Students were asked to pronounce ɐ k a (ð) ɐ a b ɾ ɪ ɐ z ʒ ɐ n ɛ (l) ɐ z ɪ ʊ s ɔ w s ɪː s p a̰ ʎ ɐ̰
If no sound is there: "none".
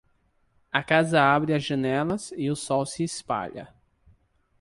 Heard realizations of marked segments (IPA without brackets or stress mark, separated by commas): z, l